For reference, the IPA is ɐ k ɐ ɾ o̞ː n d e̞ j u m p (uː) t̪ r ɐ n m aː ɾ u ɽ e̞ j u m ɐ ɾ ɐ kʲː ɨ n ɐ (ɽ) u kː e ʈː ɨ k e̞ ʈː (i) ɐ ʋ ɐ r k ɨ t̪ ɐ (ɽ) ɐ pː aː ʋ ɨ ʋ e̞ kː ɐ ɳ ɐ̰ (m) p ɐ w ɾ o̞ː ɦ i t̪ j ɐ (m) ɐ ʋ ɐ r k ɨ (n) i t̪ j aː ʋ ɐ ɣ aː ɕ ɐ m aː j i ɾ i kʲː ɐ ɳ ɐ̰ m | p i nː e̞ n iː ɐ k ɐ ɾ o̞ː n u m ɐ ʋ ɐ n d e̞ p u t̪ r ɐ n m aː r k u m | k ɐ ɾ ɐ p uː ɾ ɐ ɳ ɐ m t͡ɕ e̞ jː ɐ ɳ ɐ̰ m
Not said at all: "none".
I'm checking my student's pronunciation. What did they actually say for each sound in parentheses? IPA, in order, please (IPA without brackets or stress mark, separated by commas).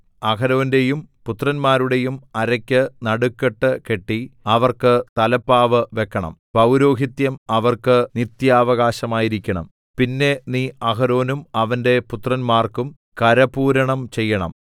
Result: u, ɽ, i, l, m, m, n